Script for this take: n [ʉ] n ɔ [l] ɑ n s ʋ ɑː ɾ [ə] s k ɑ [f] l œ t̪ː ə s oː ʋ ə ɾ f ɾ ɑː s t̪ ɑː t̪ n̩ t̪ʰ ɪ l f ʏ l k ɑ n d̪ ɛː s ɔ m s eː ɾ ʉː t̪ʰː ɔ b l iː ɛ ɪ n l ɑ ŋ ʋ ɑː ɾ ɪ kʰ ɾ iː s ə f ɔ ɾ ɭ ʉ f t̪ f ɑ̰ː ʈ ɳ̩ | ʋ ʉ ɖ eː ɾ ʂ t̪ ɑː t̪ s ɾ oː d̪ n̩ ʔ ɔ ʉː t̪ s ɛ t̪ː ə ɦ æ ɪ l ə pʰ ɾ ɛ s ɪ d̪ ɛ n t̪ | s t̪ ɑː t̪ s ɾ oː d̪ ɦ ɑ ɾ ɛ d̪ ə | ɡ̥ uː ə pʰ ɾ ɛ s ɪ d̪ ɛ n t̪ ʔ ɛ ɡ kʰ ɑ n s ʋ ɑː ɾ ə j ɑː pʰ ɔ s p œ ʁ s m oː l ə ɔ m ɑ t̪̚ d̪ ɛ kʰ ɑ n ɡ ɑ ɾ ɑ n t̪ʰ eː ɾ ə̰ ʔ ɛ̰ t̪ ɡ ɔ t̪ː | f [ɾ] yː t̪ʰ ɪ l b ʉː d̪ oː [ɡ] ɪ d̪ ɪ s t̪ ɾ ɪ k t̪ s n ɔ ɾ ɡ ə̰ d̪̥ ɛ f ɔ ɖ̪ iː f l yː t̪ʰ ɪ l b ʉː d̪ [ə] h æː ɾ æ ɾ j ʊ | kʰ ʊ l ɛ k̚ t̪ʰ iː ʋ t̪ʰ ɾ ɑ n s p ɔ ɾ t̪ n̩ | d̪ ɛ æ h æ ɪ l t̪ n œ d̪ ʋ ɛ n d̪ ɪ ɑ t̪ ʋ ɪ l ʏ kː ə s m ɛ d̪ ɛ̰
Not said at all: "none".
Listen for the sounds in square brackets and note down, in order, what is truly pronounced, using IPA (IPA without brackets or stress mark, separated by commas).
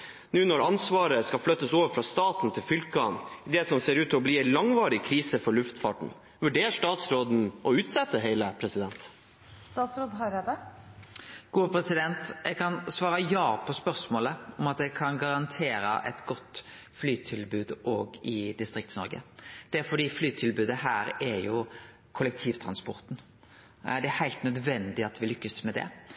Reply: ʉː, ɾ, ə, f, l, ɡ, ə